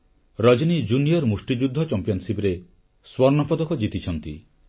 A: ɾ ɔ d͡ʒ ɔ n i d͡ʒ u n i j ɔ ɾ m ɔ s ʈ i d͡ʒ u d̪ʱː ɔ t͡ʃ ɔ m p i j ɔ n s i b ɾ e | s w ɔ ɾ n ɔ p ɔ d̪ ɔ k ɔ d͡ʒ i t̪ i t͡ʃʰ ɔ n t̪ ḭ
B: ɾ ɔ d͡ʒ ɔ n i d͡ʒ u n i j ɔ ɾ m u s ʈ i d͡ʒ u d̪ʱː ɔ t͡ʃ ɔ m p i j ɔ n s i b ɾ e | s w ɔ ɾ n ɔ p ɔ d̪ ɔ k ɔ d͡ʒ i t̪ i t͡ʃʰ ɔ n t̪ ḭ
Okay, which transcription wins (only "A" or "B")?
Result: B